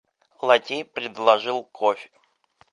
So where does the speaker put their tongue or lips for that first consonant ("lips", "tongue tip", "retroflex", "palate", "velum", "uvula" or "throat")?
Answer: tongue tip